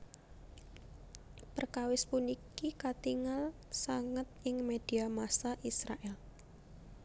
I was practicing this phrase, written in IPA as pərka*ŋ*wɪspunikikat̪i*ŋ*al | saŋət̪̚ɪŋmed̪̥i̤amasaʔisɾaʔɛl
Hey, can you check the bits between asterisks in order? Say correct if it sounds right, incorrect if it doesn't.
incorrect: none, correct

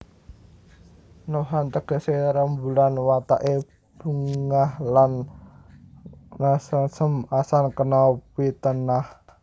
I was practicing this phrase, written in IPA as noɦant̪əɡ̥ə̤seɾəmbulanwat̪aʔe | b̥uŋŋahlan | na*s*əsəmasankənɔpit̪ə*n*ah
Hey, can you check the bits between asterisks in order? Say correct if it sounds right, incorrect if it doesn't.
correct, correct

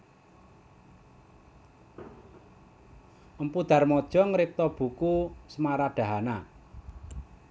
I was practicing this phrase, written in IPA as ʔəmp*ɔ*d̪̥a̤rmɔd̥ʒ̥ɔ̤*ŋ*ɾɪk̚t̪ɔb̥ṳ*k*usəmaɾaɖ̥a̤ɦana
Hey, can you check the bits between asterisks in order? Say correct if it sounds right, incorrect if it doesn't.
incorrect: u, correct, correct

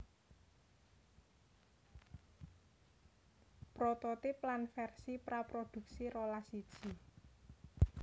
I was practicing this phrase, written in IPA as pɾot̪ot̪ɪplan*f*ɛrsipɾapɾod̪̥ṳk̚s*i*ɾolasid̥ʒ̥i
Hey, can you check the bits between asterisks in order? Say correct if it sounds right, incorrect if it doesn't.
correct, correct

